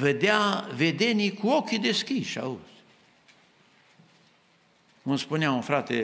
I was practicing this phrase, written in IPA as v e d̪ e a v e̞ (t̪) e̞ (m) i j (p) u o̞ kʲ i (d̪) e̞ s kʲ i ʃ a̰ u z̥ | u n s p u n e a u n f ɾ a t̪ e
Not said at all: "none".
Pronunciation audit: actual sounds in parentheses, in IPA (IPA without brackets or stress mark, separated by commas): d̪, n, k, d̪